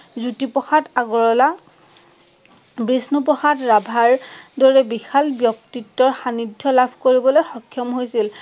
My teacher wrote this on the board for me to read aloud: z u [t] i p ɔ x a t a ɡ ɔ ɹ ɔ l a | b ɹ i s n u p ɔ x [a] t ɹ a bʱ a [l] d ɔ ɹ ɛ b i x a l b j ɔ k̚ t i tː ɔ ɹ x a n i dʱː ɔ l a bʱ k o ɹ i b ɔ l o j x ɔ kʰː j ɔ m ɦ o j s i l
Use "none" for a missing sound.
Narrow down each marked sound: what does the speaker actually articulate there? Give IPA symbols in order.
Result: t, a, ɹ

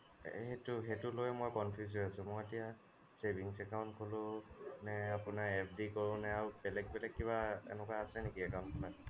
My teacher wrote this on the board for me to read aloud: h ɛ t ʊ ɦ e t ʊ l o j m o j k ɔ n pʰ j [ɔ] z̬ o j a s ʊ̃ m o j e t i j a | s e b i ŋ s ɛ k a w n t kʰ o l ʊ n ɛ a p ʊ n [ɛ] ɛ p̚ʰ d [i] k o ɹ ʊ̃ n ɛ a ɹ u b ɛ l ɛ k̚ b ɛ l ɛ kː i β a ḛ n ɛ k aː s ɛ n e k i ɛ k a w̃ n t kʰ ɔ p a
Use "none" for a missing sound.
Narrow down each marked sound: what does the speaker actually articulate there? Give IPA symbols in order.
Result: u, a, i

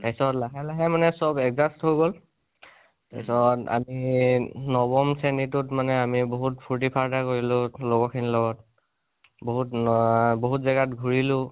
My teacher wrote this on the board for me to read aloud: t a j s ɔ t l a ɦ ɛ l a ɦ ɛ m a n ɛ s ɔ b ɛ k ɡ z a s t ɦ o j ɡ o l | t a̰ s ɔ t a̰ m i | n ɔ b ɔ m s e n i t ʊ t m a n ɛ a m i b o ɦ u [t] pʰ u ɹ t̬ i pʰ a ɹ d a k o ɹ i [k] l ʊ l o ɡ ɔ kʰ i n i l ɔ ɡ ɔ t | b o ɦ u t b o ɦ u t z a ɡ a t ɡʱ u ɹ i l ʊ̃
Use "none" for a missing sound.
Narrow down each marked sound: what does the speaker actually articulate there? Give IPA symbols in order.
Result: t, none

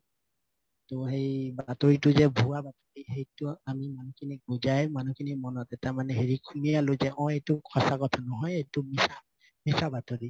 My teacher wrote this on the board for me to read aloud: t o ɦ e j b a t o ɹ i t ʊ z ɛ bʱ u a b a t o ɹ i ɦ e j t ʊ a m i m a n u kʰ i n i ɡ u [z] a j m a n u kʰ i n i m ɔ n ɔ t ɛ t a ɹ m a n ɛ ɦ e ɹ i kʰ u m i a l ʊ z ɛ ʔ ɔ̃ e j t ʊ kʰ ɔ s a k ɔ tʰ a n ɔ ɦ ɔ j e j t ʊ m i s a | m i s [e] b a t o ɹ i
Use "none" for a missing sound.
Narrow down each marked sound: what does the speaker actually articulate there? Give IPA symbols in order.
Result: z, a

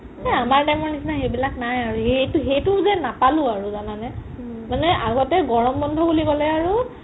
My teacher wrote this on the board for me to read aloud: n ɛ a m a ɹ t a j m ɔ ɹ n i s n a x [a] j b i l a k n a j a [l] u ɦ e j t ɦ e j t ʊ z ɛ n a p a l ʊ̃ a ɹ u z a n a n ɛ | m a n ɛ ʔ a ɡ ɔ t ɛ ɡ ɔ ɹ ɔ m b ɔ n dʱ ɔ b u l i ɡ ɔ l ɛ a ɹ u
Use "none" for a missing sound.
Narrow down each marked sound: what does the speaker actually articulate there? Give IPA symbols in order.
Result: e, ɹ

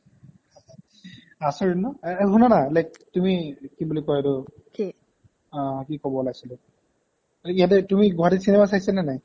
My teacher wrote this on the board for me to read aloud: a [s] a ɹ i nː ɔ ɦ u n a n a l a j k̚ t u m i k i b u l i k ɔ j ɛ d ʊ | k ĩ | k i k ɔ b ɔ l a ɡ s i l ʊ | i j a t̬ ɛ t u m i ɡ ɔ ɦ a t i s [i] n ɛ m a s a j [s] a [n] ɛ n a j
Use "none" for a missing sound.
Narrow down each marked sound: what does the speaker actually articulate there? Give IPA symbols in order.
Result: s, i, s, n

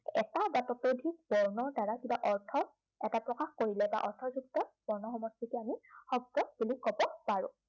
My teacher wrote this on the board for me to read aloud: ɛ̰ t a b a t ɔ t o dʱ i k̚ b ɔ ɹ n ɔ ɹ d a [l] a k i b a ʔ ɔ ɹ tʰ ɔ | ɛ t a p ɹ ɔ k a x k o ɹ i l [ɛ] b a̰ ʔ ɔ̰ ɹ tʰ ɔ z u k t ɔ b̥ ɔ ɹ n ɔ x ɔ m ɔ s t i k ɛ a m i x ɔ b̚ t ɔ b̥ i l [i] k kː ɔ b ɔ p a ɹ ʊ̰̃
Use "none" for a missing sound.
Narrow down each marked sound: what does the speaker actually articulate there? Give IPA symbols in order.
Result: ɹ, ɛ, i

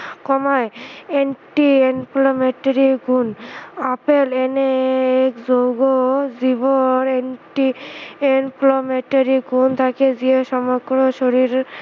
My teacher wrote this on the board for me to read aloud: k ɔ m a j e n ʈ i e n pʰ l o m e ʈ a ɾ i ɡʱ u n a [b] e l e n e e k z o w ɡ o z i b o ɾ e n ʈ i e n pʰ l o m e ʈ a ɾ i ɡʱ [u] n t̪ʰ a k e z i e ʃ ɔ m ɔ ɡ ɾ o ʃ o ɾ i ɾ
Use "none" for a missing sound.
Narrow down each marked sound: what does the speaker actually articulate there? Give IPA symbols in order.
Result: p, u

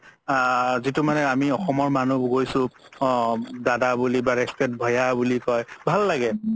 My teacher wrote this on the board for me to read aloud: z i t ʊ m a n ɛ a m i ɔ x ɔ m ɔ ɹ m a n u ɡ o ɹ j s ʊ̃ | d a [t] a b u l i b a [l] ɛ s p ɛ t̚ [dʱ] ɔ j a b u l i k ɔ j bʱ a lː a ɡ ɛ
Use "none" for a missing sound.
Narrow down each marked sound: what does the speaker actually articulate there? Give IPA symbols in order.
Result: d, ɹ, bʱ

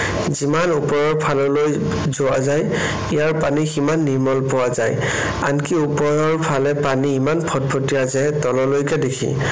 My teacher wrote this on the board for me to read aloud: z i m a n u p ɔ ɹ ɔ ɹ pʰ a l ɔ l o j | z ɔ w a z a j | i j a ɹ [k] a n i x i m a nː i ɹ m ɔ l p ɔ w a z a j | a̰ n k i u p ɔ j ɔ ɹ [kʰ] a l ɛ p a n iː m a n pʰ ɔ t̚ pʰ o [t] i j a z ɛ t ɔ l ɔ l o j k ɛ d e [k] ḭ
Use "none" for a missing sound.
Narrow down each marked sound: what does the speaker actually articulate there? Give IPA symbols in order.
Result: p, pʰ, t, kʰ

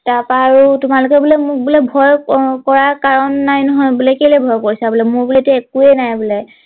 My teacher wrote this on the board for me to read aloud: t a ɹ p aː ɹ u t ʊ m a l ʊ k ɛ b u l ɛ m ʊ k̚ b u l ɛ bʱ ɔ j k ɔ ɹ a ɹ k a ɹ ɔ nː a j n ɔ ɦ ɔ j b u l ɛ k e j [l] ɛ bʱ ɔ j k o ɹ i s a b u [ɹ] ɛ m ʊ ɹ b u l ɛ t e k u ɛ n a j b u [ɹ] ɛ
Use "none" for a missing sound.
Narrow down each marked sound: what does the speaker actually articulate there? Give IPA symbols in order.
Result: l, l, l

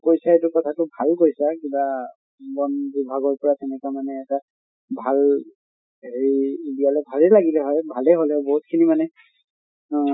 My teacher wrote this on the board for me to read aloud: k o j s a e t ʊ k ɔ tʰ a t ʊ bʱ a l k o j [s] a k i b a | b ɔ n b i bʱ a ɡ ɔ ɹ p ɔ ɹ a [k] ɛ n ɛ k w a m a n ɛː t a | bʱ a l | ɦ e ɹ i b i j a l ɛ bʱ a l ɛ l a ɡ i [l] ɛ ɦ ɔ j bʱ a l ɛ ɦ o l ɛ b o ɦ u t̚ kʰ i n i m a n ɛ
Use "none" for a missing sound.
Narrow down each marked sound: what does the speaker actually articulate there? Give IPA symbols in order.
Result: s, t, l

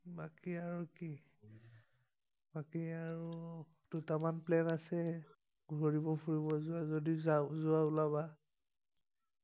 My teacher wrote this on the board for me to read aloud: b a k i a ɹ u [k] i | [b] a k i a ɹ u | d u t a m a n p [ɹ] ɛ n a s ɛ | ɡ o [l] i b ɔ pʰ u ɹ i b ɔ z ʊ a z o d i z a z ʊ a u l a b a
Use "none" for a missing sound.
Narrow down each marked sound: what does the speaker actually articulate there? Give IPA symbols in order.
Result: k, b, l, ɹ

